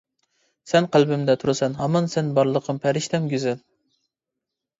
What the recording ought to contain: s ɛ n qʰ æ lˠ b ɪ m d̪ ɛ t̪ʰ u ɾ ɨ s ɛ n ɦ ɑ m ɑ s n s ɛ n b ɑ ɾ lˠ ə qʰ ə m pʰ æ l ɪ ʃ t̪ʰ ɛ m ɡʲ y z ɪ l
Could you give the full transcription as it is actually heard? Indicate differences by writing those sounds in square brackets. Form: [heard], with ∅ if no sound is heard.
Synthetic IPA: s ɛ n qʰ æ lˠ b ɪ m d̪ ɛ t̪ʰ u ɾ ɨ s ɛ n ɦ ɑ m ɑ [∅] n s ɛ n b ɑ ɾ lˠ ə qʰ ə m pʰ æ [ɾ] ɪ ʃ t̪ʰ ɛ m ɡʲ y z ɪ l